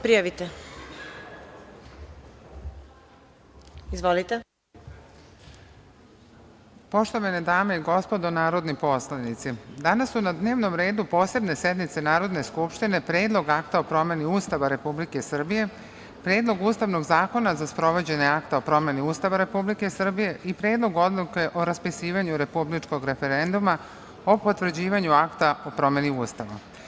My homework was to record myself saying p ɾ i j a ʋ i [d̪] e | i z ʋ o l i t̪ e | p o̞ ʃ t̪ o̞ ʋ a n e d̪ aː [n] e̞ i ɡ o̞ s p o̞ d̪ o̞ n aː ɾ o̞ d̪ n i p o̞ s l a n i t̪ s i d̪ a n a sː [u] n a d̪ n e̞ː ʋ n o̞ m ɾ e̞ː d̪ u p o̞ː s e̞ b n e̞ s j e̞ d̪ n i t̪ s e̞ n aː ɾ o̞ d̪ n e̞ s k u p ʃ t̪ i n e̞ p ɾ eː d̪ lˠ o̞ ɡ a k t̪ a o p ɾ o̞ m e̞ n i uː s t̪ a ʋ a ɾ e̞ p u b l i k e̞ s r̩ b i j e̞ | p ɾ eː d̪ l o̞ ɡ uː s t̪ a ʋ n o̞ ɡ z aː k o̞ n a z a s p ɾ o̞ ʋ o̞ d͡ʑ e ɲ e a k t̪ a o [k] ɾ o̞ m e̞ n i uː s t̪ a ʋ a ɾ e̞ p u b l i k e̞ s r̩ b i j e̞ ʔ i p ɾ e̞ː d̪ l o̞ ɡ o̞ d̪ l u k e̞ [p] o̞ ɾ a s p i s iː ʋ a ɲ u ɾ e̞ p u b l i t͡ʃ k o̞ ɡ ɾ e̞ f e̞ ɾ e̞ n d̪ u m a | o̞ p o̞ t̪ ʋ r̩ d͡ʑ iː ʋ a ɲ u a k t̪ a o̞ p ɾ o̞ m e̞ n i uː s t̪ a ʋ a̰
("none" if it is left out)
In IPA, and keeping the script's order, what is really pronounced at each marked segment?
t̪, m, u, p, ʔ

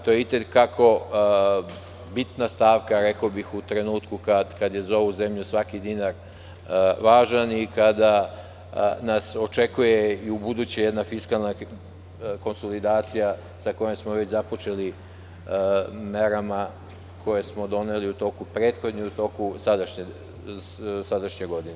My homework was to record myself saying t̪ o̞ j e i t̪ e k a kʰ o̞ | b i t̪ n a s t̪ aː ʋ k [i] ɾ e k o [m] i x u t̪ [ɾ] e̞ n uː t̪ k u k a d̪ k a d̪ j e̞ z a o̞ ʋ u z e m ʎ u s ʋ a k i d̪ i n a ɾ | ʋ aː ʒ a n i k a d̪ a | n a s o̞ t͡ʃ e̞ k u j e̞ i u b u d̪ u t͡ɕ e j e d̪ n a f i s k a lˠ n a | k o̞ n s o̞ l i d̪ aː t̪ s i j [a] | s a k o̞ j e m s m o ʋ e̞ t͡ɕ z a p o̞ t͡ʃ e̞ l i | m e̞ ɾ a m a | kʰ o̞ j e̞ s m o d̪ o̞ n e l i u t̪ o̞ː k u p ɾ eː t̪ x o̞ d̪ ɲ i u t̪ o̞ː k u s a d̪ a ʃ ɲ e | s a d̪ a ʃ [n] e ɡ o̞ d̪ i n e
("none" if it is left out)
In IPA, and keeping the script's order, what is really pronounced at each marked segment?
a, b, ɾ, a, ɲ

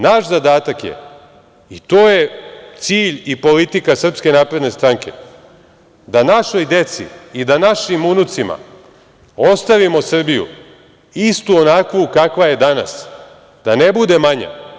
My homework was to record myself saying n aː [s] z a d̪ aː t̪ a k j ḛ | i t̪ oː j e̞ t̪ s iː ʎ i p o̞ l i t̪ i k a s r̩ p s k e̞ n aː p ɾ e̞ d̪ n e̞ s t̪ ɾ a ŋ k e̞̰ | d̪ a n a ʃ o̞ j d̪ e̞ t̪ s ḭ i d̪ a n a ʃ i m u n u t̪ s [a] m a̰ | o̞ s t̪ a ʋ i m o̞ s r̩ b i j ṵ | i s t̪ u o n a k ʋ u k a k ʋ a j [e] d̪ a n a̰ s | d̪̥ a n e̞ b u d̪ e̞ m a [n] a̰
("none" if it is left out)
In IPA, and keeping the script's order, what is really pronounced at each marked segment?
ʃ, i, e, ɲ

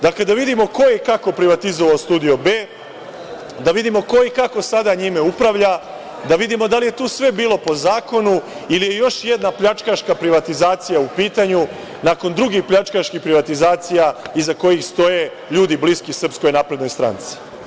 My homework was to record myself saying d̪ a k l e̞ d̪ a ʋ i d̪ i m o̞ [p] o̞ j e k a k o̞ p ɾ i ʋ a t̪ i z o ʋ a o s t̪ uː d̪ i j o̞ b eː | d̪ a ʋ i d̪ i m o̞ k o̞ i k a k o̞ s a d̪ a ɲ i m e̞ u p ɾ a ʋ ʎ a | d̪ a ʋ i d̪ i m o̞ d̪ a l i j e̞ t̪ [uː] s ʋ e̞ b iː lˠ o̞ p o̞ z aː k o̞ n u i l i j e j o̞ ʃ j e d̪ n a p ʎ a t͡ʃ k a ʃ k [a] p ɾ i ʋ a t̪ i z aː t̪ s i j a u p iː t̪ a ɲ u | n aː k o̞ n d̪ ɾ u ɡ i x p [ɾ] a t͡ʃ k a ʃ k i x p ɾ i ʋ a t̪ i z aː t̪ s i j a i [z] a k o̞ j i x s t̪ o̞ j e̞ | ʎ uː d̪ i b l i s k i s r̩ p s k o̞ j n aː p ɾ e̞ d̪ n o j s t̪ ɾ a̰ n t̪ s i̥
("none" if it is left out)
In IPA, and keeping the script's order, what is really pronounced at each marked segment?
k, uː, a, ʎ, z

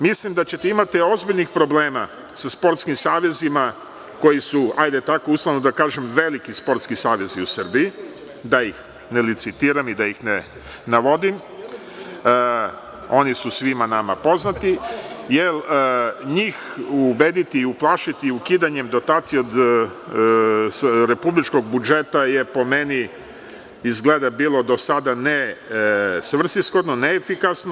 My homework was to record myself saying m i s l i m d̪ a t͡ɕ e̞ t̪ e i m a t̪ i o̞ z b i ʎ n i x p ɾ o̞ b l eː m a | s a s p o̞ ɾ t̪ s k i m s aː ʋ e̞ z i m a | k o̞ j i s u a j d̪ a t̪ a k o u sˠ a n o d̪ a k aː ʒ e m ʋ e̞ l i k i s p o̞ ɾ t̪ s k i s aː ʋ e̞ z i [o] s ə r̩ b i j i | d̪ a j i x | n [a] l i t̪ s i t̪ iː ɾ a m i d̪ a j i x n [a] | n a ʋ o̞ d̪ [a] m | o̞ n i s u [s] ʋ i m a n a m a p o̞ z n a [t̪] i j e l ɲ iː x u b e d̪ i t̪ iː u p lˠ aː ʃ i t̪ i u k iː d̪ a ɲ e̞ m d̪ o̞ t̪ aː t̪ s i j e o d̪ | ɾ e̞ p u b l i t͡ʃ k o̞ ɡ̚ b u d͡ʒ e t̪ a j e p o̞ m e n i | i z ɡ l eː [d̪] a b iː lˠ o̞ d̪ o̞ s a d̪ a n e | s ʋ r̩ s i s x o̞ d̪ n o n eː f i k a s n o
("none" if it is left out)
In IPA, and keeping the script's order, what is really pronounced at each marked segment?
u, e, e, i, s, t̪, d̪

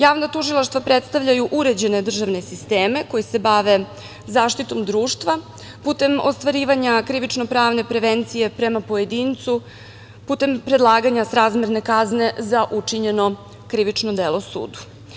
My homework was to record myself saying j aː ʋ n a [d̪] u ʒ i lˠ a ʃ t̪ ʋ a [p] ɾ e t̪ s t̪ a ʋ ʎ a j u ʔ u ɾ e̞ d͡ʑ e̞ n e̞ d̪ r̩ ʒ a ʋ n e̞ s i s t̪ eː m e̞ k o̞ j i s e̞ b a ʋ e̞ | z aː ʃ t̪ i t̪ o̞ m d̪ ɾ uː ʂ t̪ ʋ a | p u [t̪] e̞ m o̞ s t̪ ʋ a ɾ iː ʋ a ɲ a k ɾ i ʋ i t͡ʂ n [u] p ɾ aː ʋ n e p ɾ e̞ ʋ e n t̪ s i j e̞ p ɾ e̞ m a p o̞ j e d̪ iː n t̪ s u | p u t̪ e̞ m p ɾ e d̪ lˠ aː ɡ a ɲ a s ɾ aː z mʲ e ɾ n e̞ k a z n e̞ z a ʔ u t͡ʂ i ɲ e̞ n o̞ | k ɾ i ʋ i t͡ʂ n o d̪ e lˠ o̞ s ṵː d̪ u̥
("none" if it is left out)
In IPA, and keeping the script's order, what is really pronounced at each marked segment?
t̪, p, t̪, o

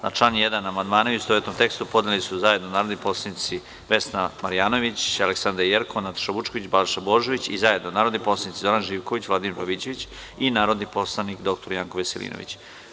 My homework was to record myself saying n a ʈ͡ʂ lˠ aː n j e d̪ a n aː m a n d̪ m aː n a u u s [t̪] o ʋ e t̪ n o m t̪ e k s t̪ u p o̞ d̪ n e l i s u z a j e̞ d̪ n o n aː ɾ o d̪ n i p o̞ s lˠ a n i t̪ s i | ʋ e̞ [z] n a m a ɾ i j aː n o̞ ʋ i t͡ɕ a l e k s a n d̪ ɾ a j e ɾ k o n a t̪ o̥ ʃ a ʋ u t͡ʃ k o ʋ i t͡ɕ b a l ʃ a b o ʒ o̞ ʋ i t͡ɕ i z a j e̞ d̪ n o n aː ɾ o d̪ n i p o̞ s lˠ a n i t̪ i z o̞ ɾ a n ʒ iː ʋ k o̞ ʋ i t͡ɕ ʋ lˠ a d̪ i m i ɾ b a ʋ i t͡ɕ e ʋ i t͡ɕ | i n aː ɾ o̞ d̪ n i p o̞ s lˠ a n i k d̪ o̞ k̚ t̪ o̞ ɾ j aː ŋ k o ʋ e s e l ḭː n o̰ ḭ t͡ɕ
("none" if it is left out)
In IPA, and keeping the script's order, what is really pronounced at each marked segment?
t̪, s

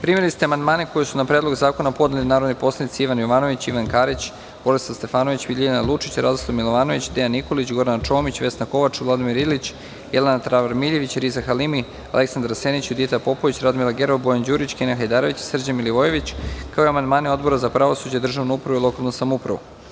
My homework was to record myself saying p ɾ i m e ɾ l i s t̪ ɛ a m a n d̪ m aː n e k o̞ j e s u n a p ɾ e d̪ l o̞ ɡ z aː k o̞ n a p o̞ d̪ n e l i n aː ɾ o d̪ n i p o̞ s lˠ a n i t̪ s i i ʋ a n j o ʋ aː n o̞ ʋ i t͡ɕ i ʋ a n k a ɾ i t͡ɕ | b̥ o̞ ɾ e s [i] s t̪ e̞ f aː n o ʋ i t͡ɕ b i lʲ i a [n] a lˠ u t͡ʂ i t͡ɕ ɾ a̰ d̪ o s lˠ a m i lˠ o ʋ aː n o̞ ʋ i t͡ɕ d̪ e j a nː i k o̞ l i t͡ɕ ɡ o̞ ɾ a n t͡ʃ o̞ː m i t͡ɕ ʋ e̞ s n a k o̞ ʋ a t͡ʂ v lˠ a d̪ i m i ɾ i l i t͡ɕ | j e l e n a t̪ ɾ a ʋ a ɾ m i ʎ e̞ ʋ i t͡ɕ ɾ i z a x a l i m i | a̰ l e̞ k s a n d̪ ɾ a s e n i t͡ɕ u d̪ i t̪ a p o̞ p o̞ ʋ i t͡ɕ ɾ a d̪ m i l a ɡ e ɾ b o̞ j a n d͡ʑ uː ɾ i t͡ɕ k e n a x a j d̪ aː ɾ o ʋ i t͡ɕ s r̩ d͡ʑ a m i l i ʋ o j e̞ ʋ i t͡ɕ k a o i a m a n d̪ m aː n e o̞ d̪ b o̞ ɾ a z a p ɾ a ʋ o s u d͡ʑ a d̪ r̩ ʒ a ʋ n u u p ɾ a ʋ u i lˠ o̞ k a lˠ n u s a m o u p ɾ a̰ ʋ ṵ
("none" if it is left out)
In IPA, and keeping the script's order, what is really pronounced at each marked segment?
a, n

